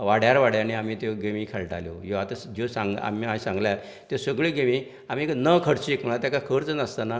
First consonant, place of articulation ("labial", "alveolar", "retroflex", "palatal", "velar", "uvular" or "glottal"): labial